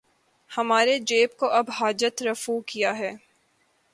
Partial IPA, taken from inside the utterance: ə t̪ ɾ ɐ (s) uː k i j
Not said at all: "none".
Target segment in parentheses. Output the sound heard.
f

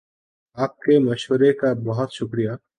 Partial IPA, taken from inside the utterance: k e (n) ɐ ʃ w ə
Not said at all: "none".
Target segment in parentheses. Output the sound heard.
m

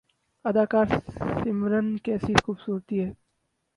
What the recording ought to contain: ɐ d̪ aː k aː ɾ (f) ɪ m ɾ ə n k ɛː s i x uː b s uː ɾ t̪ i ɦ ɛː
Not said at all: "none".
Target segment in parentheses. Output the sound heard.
s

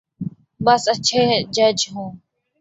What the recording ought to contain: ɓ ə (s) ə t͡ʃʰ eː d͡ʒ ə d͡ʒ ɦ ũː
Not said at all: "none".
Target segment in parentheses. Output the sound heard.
s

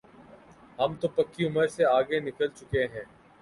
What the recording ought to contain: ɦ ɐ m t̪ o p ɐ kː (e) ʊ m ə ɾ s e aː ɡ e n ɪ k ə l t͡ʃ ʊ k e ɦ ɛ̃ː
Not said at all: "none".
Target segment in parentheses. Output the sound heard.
i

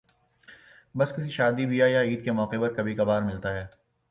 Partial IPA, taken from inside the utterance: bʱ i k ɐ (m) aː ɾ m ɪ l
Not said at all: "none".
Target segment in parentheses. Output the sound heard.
b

